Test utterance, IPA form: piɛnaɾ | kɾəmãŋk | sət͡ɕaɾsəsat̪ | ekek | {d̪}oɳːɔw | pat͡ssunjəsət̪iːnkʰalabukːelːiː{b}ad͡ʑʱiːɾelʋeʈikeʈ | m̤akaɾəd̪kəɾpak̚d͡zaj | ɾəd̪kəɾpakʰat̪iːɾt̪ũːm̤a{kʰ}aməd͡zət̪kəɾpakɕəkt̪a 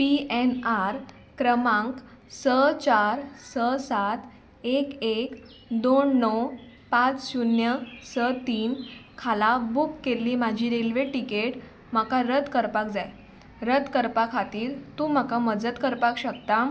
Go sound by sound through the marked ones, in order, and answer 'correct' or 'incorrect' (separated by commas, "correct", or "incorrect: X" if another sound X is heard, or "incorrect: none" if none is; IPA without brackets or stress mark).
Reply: correct, incorrect: m, incorrect: k